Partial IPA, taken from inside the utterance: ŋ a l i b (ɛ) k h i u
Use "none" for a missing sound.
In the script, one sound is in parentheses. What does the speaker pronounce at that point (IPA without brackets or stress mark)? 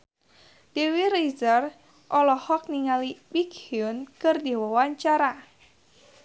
i